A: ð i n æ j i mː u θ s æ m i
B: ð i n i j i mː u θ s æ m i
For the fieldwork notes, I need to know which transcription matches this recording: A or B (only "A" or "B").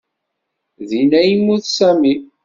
A